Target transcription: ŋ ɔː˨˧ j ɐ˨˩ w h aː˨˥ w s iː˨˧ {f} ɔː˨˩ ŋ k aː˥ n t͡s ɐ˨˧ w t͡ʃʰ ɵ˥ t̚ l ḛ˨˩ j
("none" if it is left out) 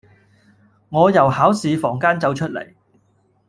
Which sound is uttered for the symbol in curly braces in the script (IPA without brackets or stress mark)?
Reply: f